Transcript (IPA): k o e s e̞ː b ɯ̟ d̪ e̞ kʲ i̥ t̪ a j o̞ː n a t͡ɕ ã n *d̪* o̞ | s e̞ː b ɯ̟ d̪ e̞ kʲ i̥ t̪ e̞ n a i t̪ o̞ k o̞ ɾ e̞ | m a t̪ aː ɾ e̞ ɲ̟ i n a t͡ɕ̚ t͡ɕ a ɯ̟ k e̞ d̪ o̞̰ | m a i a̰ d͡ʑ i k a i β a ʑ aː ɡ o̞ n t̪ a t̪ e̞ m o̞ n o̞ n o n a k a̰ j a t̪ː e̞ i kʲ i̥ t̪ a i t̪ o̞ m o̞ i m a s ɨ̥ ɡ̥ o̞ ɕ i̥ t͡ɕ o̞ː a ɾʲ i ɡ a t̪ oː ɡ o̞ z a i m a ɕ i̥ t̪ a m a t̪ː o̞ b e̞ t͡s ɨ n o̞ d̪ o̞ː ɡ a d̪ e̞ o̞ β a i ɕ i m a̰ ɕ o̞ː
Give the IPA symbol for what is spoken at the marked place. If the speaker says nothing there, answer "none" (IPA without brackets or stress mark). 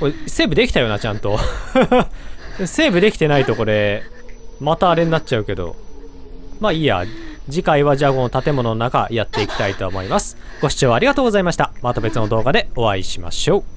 t̪